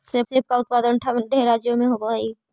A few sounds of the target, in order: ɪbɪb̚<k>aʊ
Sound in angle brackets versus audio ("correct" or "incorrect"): correct